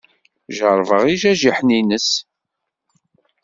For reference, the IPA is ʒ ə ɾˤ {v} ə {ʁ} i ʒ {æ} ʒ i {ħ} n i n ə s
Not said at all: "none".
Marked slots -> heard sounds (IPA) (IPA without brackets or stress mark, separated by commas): v, ʁ, æ, ħ